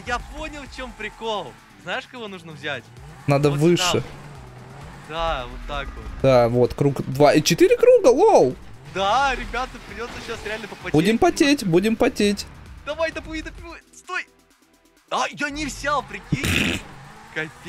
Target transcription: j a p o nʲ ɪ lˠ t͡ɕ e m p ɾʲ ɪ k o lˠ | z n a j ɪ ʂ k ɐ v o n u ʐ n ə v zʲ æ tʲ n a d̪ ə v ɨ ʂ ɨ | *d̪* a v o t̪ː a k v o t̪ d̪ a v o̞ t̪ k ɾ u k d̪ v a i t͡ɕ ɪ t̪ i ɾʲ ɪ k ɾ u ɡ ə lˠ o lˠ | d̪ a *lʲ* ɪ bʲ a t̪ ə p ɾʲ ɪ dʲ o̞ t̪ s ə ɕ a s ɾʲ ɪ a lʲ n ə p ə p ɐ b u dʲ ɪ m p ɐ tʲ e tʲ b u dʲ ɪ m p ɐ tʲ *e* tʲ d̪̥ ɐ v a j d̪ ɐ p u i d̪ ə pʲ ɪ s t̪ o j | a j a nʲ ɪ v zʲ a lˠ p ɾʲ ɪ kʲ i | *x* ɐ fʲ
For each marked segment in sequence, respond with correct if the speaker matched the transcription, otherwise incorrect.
correct, incorrect: ɾʲ, correct, incorrect: k

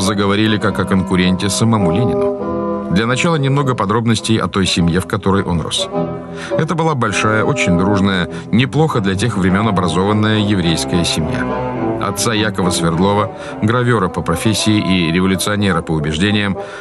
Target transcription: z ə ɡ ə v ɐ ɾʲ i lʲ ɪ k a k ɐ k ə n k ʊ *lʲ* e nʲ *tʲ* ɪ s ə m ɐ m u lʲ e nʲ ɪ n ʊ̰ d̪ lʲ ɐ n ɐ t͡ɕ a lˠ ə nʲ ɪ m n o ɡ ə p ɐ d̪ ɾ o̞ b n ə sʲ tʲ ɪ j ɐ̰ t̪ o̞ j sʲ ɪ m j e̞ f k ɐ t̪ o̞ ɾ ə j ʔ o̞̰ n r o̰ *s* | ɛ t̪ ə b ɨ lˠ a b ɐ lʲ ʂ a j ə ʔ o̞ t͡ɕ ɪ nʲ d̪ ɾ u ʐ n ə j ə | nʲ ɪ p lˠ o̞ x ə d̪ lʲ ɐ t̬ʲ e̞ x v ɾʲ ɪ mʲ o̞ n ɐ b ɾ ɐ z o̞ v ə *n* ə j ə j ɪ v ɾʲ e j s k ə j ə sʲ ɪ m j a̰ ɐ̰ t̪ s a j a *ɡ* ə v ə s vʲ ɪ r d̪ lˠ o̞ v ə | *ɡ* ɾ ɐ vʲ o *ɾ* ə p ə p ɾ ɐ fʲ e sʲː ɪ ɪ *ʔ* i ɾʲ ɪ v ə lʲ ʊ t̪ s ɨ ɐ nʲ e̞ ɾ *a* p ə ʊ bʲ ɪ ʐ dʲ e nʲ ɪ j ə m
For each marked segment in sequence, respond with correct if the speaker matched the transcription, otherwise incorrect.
incorrect: ɾʲ, correct, correct, incorrect: nː, incorrect: k, correct, correct, correct, incorrect: ə

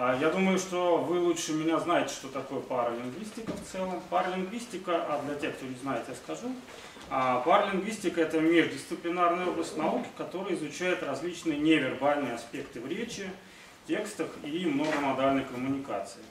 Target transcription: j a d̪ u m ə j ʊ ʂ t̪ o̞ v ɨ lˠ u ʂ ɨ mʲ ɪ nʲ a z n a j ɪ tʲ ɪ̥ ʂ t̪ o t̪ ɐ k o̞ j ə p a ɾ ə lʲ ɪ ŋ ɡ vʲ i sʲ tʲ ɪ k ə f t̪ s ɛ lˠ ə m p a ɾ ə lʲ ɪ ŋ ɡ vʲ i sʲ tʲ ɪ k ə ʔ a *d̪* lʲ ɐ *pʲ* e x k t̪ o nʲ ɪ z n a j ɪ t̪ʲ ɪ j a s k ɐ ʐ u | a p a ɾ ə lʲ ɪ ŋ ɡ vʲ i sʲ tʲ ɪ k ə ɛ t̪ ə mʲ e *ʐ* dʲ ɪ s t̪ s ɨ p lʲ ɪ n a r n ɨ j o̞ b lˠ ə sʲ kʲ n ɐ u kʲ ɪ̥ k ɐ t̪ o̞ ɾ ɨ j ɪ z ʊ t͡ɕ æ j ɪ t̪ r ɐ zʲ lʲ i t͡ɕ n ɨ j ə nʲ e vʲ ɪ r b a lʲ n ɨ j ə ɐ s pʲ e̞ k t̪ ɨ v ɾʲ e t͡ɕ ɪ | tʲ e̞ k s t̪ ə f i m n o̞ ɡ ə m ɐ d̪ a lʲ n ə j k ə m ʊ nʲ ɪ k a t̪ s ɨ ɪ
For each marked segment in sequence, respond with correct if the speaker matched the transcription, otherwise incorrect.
correct, incorrect: tʲ, correct

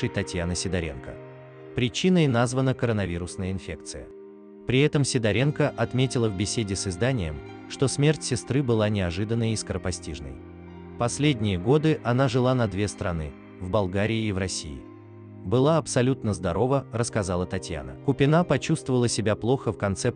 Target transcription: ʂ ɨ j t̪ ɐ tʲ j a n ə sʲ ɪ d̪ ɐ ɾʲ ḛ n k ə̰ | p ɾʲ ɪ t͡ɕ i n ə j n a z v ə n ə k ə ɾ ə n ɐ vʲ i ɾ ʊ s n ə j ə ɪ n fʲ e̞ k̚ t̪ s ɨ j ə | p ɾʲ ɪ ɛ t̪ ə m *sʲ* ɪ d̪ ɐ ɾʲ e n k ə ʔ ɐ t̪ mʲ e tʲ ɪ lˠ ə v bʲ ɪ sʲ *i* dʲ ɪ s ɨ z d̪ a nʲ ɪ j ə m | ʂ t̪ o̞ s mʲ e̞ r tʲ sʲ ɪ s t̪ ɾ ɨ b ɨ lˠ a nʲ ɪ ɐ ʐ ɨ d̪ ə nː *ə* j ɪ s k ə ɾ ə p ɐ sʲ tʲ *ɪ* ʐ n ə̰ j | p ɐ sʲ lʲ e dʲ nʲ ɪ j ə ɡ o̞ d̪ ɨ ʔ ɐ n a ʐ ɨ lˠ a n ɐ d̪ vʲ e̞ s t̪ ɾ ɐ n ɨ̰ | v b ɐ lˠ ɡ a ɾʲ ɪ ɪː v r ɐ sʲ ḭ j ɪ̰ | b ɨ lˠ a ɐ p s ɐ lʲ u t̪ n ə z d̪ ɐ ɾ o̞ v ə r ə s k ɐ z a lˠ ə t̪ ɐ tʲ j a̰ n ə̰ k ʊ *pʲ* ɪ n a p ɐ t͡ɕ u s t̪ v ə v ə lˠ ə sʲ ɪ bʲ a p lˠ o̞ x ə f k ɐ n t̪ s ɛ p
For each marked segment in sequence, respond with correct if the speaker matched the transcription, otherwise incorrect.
correct, incorrect: e, correct, incorrect: i, correct

